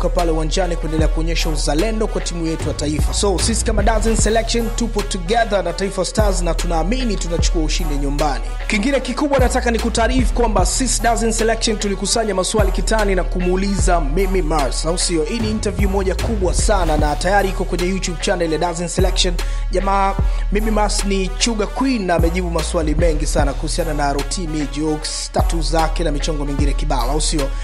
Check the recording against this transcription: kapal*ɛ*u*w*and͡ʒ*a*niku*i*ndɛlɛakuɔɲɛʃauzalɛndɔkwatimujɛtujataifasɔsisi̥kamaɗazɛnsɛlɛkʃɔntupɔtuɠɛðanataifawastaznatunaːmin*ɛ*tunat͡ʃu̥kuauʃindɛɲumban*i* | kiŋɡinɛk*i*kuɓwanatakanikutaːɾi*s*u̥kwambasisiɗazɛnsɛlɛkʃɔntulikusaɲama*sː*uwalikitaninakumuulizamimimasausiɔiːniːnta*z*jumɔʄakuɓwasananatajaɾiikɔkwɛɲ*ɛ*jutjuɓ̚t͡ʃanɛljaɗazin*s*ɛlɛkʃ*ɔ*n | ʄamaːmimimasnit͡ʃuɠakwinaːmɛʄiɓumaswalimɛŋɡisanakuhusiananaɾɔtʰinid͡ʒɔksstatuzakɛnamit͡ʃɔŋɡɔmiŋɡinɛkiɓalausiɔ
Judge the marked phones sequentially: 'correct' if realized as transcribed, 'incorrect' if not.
correct, correct, correct, incorrect, incorrect, correct, correct, incorrect, incorrect, incorrect, correct, correct, correct

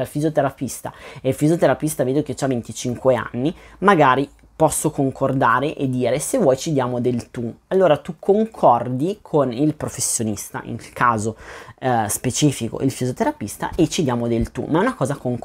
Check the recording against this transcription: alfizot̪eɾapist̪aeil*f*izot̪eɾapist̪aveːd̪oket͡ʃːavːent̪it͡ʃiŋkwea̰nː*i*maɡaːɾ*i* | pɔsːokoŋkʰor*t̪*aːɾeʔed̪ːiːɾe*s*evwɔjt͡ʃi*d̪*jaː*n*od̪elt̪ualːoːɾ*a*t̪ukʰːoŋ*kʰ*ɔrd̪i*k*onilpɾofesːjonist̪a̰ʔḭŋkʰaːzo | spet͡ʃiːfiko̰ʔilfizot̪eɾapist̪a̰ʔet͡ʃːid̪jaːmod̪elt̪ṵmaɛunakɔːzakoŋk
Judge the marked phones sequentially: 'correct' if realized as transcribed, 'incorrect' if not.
correct, correct, correct, incorrect, correct, correct, incorrect, correct, correct, incorrect

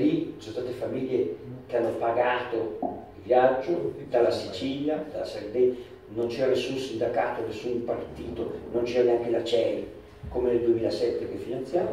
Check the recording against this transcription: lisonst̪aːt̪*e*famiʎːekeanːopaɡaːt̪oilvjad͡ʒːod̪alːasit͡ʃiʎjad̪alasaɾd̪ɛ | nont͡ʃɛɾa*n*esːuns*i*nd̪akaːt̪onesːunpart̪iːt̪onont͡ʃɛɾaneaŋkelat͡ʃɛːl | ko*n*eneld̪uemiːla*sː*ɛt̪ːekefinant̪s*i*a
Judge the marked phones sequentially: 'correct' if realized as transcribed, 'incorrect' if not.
correct, correct, correct, incorrect, incorrect, incorrect

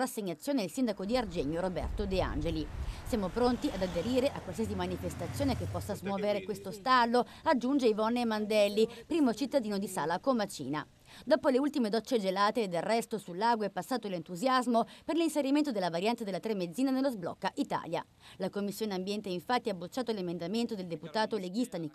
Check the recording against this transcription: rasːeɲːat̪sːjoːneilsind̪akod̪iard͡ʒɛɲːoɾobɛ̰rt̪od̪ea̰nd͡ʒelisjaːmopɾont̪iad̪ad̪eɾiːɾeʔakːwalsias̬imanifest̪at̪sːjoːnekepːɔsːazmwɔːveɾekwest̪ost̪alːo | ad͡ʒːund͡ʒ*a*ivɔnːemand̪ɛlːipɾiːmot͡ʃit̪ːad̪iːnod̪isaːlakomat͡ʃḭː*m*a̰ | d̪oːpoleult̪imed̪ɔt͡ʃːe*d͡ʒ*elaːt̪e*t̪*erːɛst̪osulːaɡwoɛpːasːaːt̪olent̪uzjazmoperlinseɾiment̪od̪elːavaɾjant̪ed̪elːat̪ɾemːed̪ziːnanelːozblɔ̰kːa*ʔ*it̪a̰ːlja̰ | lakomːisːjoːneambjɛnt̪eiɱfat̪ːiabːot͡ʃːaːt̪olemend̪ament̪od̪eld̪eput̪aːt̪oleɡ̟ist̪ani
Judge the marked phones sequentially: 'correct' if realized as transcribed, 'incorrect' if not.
incorrect, incorrect, correct, incorrect, correct

